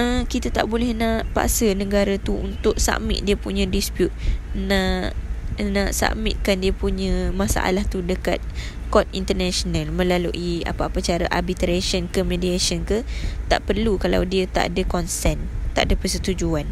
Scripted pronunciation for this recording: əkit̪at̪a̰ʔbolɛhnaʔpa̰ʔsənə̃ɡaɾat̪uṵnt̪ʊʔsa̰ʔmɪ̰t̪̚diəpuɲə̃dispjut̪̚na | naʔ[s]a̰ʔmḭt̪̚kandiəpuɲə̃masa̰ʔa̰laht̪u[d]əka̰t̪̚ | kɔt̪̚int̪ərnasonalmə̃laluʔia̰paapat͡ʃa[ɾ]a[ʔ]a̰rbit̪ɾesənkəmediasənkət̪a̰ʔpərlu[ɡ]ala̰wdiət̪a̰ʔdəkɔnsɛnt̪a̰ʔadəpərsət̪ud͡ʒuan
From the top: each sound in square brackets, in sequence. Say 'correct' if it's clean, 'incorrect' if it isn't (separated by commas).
correct, correct, correct, correct, incorrect